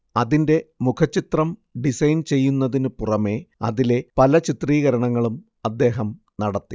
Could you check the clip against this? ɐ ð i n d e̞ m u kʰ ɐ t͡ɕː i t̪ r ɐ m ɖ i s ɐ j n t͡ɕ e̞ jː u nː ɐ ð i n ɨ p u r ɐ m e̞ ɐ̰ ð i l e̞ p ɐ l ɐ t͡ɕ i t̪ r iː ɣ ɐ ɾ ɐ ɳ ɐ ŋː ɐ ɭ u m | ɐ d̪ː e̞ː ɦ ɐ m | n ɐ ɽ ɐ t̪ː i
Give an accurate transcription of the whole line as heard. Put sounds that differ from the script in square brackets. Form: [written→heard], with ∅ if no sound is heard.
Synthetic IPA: ɐ ð i n d e̞ m u kʰ ɐ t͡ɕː i t̪ r ɐ m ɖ i s ɐ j n t͡ɕ e̞ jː u nː ɐ ð i n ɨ p u r ɐ m e̞ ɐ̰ ð i l e̞ p ɐ l ɐ t͡ɕ i t̪ r iː ɣ ɐ ɾ ɐ ɳ ɐ ŋː ɐ ɭ u m | ɐ d̪ː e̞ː ɦ ɐ m | n ɐ ɽ ɐ t̪ː i